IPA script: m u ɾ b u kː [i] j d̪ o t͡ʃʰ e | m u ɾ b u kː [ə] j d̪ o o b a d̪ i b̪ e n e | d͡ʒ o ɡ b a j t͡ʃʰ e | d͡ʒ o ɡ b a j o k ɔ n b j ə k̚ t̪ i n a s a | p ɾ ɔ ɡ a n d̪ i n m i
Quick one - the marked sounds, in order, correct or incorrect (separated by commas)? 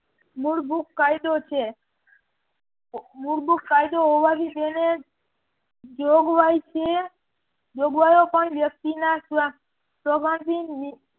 incorrect, incorrect